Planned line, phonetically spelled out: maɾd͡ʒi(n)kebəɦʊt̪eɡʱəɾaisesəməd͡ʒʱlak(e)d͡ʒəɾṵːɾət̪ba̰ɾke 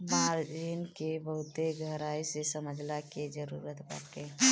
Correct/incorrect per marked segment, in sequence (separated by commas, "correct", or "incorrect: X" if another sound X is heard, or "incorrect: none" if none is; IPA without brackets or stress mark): correct, correct